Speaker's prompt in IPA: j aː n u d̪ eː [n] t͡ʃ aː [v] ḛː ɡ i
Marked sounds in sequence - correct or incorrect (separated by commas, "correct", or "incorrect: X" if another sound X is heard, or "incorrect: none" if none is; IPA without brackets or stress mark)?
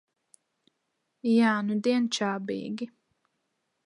correct, incorrect: b